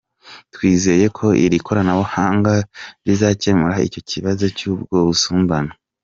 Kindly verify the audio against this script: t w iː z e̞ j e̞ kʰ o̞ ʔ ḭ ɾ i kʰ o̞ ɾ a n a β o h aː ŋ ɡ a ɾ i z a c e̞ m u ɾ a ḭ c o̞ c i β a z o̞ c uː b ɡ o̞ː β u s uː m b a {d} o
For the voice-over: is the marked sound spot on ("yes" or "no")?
no